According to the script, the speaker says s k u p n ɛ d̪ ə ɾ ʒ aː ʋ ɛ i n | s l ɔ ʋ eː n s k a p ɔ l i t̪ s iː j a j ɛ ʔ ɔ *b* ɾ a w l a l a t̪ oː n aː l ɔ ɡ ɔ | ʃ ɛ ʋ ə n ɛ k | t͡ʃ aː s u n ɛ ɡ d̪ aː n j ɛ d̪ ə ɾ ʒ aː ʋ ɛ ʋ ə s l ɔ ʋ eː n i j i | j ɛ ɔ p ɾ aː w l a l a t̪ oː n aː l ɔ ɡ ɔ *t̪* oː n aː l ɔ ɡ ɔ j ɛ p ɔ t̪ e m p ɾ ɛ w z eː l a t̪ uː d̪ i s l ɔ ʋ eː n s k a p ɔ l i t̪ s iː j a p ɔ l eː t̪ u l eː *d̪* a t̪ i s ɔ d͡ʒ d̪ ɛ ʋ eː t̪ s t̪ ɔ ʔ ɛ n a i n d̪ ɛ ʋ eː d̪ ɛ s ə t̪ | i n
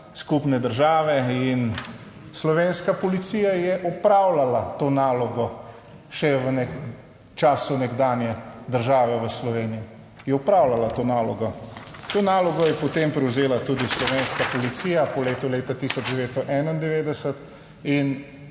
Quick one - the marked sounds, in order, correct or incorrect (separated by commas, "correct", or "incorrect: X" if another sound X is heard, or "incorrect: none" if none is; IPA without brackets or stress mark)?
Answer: incorrect: p, correct, incorrect: t̪